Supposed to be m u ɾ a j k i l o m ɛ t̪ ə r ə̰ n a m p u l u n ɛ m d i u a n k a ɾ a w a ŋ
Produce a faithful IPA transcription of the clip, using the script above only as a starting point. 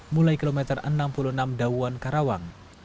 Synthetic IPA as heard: m u l a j k i l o m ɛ t̪ ə r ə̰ n a m p u l u n a m d a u a n k a ɾ a w a ŋ